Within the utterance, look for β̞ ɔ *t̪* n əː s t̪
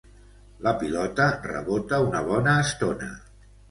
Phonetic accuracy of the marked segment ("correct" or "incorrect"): incorrect